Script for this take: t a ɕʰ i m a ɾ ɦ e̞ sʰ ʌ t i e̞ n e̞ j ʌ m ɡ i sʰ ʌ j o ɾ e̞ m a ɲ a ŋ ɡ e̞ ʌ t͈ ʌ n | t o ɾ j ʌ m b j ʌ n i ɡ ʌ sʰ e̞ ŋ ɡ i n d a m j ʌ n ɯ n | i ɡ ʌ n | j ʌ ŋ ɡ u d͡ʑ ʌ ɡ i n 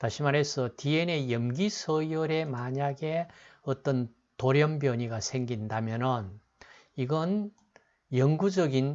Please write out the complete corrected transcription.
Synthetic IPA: t a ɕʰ i m a ɾ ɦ e̞ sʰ ʌ t i e̞ n e̞ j ʌ m ɡ i sʰ ʌ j o ɾ e̞ m a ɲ a ɡ e̞ ʌ t͈ ʌ n | t o ɾ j ʌ m b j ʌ ɲ i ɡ a sʰ e̞ ŋ ɡ i n d a m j ʌ n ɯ n | i ɡ ʌ n | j ʌ ŋ ɡ u d͡ʑ ʌ ɡ i n